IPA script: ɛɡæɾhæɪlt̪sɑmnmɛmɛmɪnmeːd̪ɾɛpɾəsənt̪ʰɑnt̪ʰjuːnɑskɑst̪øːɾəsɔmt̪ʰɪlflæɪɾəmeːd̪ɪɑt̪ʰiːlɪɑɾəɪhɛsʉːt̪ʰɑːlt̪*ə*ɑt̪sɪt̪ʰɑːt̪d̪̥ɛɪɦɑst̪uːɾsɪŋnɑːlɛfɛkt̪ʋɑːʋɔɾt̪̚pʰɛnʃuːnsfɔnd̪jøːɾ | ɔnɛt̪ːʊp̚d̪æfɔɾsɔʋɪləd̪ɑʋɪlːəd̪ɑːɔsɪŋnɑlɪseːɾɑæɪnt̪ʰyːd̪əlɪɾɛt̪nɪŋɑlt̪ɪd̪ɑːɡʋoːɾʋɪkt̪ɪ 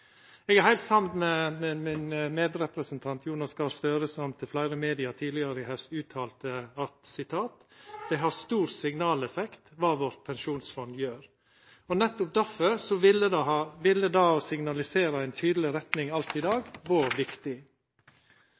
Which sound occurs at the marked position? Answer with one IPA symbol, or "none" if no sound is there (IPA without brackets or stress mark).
ə